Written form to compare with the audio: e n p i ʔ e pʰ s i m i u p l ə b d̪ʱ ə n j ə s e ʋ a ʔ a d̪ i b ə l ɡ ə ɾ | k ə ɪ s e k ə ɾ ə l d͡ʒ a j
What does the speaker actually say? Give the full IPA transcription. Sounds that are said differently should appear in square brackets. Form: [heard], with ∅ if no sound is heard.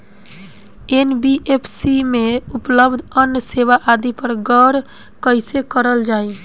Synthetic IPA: e n [b] i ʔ e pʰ s i m [e] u p l ə b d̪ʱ ə n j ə s e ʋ a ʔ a d̪ i [p] ə [ɾ] ɡ ə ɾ | k ə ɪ s e k ə ɾ ə l d͡ʒ a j

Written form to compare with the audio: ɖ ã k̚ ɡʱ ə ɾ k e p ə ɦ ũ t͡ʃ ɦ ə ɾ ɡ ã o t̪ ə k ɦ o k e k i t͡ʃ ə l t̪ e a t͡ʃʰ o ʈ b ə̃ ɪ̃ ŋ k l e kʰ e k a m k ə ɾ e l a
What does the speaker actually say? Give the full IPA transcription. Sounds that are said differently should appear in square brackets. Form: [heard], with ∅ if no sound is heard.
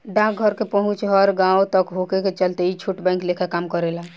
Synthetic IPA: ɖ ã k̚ ɡʱ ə ɾ k e p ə ɦ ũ t͡ʃ ɦ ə ɾ ɡ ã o t̪ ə k ɦ o k e k [e] t͡ʃ ə l t̪ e [i] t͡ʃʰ [u] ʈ b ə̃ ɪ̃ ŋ k l e kʰ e k a m k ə ɾ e l a

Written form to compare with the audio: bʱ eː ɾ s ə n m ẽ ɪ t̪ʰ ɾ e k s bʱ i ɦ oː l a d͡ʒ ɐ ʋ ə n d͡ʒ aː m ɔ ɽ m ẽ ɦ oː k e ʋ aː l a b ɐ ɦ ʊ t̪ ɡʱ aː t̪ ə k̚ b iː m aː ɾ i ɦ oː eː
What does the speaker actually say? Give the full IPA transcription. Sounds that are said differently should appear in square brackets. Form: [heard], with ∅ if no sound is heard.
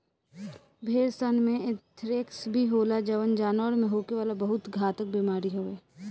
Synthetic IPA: bʱ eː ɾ s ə n m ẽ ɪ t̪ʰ ɾ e k s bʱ i ɦ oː l a d͡ʒ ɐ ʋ ə n d͡ʒ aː [n] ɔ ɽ m ẽ ɦ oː k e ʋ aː l a b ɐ ɦ ʊ t̪ ɡʱ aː t̪ ə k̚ b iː m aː ɾ i ɦ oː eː

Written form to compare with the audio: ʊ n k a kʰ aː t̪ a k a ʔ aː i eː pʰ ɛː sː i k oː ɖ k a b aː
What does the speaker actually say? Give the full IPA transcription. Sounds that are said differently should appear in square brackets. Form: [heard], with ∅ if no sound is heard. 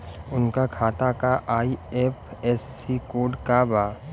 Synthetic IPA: ʊ n k a kʰ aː t̪ a k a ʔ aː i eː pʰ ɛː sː i k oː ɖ k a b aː

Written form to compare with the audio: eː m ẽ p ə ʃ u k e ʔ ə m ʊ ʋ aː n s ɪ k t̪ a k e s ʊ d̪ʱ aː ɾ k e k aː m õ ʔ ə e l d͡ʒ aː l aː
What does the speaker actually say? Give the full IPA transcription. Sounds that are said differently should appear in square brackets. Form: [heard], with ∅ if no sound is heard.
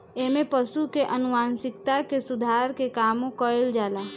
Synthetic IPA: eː m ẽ p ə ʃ u k e ʔ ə [n] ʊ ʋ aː n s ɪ k t̪ a k e s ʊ d̪ʱ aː ɾ k e k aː m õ [k] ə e l d͡ʒ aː l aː

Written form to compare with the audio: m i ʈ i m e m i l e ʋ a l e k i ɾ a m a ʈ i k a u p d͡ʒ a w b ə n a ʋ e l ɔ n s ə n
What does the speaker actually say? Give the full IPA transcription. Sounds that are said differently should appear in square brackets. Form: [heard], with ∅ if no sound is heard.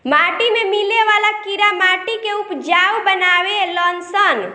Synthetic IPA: m [a] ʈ i m e m i l e ʋ a l [a] k i ɾ a m a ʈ i k [e] u p d͡ʒ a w b ə n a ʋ e l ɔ n s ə n

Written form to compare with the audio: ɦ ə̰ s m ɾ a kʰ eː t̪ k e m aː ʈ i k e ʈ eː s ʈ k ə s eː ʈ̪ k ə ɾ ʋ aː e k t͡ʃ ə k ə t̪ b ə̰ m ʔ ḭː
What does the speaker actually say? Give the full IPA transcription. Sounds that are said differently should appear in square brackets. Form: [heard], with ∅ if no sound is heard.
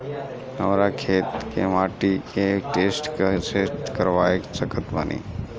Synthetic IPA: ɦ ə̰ [∅] m ɾ a kʰ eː t̪ k e m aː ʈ i k e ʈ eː s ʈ k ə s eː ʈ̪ k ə ɾ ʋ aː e k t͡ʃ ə k ə t̪ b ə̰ [n] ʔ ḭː

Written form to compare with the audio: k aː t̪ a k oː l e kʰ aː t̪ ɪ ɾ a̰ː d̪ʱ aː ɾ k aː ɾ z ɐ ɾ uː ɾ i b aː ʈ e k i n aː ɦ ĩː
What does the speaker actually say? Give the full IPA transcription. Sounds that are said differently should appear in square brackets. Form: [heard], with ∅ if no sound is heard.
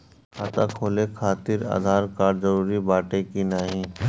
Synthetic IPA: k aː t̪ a [kʰ] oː l e kʰ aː t̪ ɪ ɾ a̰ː d̪ʱ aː ɾ k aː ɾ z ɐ ɾ uː ɾ i b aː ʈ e k i n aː ɦ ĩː

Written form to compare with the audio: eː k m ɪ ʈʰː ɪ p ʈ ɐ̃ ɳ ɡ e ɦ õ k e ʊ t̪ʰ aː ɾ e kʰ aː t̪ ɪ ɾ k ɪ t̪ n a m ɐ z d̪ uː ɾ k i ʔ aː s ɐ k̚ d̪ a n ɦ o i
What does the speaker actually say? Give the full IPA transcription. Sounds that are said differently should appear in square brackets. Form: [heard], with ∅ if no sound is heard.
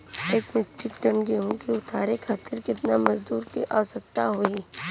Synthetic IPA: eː k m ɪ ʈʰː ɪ [k] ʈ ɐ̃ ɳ ɡ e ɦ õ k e ʊ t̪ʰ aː ɾ e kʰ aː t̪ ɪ ɾ k ɪ t̪ n a m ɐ z d̪ uː ɾ k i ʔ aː s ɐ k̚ [t̪] a [∅] ɦ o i

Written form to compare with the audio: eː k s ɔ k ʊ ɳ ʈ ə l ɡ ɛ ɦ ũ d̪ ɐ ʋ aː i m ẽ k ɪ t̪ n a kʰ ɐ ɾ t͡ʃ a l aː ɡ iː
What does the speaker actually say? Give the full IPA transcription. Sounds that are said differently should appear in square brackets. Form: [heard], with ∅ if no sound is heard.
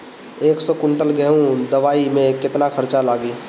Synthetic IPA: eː k s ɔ k ʊ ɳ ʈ ə l ɡ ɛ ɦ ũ d̪ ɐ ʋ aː i m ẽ k ɪ t̪ n a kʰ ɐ ɾ t͡ʃ a l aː ɡ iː

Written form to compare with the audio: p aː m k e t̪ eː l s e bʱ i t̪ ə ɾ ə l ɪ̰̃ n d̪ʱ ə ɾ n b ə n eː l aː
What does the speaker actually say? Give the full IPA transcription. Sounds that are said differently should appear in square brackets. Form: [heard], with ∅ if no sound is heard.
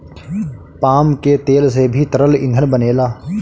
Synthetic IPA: p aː m k e t̪ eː l s e bʱ i t̪ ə ɾ ə l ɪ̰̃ n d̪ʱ ə [∅] n b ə n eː l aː

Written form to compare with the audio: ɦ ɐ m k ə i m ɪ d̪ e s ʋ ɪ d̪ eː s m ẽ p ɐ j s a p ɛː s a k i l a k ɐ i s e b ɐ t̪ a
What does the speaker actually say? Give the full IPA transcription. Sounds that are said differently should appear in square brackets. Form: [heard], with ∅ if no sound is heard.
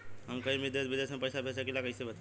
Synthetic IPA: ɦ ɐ m k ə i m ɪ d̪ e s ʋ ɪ d̪ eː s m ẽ p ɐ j s a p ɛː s a k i l a k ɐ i s e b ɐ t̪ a

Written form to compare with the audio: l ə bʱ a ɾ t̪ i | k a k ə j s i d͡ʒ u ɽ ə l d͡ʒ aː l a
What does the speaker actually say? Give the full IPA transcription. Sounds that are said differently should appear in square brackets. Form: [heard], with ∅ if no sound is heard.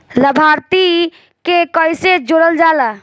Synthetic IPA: l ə bʱ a ɾ t̪ i | k [e] k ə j s [e] d͡ʒ [o] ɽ ə l d͡ʒ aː l a

